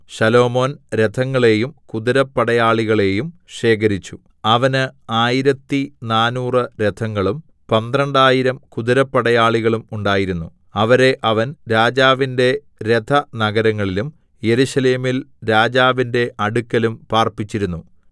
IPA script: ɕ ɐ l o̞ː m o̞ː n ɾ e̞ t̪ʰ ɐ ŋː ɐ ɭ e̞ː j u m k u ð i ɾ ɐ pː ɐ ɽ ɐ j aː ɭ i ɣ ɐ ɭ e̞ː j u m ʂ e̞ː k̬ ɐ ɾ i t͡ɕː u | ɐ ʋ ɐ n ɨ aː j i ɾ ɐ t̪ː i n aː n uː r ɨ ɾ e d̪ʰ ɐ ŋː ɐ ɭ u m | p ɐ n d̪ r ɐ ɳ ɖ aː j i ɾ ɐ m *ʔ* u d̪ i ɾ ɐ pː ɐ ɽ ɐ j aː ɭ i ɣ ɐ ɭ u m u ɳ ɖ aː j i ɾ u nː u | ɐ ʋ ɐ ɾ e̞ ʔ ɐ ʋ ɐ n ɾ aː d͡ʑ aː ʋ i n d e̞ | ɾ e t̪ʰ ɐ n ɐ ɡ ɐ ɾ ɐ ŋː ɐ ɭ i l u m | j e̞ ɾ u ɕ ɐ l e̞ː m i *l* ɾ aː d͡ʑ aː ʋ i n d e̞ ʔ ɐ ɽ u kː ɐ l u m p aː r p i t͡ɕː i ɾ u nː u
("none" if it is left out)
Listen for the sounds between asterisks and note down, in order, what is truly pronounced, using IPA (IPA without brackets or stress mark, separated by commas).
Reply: k, l